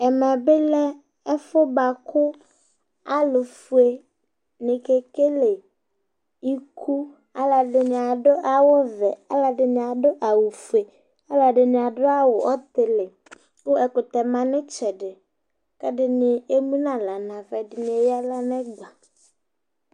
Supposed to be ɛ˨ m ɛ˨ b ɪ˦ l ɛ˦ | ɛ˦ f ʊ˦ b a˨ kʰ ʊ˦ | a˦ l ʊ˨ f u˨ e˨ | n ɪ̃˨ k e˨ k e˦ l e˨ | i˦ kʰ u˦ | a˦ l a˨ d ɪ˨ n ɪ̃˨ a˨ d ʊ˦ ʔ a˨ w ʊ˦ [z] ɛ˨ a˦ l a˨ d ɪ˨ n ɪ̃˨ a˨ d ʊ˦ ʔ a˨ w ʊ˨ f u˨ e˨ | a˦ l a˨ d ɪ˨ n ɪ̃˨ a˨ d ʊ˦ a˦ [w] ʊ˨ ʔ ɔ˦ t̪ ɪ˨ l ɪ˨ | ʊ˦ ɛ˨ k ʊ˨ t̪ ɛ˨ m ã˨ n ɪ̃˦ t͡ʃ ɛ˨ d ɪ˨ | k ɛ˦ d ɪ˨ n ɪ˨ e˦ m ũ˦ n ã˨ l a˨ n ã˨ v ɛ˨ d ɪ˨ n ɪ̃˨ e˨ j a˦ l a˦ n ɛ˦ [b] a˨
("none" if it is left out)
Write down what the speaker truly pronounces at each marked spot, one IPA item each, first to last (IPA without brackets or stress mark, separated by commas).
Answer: v, w, ɡ͡b